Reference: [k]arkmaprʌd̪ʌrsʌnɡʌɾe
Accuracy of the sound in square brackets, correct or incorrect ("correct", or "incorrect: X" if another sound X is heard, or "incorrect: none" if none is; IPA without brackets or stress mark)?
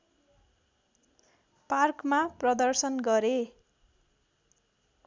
incorrect: p